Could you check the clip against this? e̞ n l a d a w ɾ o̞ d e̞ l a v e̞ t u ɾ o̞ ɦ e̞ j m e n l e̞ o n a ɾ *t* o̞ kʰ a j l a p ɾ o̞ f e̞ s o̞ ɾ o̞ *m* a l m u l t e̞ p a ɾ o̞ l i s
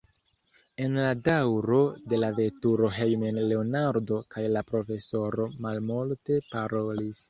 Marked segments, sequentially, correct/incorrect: incorrect, correct

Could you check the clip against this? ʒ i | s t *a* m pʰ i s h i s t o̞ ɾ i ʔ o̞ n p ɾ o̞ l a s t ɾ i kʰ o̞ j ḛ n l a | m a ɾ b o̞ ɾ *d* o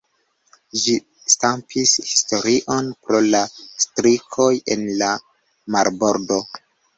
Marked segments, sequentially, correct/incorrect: correct, correct

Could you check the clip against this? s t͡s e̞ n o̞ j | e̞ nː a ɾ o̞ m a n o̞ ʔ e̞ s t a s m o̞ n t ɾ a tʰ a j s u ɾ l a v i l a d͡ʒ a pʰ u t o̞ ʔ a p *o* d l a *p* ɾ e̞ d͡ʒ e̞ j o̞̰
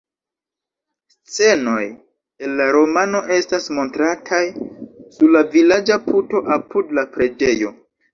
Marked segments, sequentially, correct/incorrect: incorrect, correct

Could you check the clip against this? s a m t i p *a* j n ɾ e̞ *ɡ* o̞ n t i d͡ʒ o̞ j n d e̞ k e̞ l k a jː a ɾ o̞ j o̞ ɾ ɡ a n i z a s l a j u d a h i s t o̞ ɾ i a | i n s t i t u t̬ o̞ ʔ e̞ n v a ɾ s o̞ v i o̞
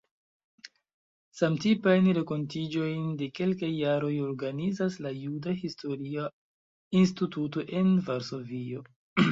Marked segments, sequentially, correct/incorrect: correct, incorrect

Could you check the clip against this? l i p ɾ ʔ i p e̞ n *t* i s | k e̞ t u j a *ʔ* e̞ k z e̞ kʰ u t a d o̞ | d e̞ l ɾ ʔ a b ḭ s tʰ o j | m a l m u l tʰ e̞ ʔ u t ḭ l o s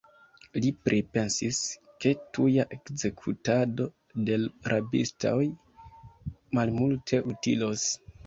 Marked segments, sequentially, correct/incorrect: incorrect, correct

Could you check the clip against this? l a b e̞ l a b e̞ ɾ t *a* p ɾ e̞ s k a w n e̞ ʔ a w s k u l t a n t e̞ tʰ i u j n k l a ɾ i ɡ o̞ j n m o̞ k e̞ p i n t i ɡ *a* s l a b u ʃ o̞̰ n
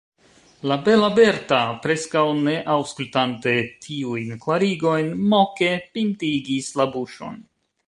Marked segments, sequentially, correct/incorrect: correct, incorrect

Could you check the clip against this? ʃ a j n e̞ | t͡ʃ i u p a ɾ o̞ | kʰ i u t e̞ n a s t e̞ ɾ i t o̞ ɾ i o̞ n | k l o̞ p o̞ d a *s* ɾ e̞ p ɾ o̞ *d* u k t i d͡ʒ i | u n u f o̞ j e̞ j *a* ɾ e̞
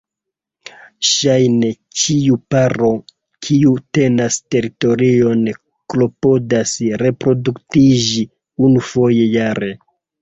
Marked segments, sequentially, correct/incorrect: correct, correct, correct

